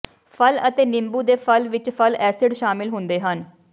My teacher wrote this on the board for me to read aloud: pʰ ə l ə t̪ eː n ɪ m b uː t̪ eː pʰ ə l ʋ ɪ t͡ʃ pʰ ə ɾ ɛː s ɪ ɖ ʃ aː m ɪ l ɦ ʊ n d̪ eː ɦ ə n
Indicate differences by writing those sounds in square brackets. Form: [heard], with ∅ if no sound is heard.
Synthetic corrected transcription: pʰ ə l ə t̪ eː n ɪ m b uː [d̪] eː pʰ ə l ʋ ɪ t͡ʃ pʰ ə [l] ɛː s ɪ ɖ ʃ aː m ɪ l ɦ ʊ n d̪ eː ɦ ə n